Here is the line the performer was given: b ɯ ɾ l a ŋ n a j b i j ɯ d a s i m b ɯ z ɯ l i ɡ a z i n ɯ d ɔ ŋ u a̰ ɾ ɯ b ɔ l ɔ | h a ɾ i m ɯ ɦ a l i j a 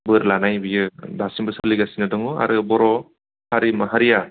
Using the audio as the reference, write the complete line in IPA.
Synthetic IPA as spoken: b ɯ ɾ l a n a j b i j ɯ d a s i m b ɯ s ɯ l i ɡ a s i n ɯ d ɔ ŋ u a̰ ɾ ɯ b ɔ ɾ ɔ | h a ɾ i m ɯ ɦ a ɾ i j a